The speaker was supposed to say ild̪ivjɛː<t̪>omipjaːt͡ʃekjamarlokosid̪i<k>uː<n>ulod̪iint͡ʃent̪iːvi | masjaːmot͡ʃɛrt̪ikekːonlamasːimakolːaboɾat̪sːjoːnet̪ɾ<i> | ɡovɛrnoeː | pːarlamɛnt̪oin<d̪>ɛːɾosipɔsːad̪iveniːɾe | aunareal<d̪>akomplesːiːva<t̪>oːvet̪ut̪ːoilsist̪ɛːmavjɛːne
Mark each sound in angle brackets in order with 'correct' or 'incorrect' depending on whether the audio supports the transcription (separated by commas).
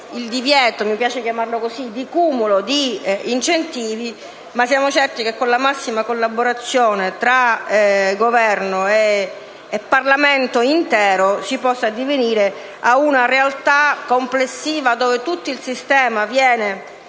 correct, correct, incorrect, incorrect, incorrect, incorrect, incorrect